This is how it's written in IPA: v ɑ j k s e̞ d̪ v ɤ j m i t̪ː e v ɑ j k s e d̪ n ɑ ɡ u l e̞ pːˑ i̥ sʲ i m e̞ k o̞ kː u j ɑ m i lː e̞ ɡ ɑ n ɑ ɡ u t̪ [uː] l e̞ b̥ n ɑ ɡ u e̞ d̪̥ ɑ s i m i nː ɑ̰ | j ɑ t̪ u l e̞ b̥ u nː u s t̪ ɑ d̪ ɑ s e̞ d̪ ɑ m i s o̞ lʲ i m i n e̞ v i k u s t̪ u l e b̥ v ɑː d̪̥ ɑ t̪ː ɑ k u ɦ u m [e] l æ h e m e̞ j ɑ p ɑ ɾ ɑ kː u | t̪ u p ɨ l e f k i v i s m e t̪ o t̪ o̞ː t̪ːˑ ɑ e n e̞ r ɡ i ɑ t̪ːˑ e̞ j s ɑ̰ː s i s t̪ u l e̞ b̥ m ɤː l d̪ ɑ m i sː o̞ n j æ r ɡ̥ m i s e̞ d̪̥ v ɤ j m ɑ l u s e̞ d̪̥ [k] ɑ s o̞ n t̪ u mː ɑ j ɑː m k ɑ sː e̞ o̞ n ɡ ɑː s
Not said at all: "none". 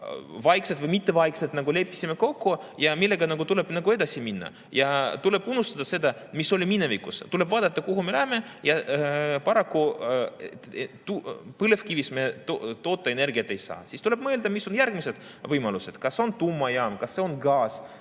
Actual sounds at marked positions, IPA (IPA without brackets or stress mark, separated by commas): u, e, k